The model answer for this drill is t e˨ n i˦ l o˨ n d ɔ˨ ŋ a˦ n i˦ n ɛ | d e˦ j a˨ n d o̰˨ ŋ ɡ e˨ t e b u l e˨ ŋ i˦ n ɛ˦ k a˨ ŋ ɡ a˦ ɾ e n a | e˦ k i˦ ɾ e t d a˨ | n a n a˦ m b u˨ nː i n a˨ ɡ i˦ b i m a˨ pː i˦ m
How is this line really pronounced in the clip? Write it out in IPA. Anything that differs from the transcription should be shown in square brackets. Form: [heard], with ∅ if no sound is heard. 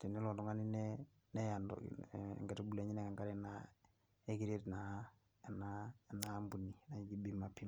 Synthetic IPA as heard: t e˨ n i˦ l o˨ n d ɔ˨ ŋ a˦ n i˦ n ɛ | [n] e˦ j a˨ n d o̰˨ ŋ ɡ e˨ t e b u l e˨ [ɲ] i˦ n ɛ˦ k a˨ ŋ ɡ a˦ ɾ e n a | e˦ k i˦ ɾ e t [n] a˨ | n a n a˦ m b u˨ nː i n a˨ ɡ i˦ b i m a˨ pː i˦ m

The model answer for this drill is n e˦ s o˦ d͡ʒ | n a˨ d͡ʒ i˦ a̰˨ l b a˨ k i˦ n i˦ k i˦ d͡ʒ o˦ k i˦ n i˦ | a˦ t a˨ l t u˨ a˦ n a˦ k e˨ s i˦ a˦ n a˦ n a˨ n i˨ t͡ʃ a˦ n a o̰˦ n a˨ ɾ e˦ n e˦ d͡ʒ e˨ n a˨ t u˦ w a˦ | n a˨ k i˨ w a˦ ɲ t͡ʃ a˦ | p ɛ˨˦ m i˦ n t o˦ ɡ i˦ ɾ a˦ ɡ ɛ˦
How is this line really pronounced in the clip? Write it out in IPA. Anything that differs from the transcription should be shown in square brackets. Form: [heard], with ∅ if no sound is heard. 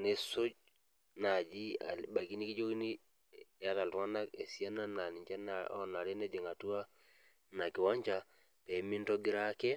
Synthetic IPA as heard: n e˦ s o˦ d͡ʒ | n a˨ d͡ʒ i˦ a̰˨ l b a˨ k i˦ n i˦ k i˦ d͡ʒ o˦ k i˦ n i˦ | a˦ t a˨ l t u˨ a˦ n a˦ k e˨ s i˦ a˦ n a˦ n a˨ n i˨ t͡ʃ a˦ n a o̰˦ n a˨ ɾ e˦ n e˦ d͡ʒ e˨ [ŋ] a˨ t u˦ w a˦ | n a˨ k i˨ w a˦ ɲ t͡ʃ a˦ | p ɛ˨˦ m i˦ n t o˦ ɡ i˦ ɾ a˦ [k] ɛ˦

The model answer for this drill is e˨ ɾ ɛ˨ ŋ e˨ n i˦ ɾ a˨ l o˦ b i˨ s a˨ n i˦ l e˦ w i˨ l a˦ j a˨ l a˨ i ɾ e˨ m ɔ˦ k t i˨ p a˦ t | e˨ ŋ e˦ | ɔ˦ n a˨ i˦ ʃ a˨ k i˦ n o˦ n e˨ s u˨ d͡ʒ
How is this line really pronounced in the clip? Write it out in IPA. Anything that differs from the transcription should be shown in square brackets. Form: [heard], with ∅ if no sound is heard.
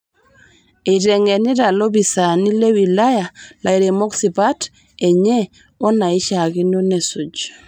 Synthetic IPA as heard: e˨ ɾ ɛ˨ ŋ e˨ n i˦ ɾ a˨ l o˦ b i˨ s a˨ n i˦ l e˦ w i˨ l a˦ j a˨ l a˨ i ɾ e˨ m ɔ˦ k [s] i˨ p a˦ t | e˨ [ɲ] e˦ | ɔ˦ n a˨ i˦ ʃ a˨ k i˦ n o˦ n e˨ s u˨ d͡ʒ

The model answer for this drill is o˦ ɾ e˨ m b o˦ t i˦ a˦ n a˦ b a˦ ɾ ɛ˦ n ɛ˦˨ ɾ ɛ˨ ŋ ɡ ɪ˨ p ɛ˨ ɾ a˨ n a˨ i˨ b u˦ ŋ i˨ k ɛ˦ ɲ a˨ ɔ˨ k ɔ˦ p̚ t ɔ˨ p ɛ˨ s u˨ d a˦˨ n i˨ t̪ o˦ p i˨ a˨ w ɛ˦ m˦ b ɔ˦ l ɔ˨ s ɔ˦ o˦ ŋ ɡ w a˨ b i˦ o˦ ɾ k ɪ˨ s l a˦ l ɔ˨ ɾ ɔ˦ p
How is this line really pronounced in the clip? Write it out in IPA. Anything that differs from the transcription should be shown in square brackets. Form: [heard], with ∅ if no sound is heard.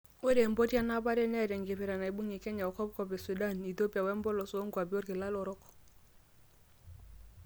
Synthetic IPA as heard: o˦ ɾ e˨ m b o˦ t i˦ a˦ n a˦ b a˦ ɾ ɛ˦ n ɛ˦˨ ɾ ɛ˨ ŋ ɡ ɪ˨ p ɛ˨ ɾ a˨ n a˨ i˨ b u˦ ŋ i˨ k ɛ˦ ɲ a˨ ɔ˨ k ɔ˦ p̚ [k] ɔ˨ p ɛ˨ s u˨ d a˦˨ n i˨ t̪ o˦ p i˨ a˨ w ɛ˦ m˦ b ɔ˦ l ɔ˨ s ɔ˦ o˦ ŋ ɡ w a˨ b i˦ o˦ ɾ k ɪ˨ [∅] l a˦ l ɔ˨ ɾ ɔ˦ [k]

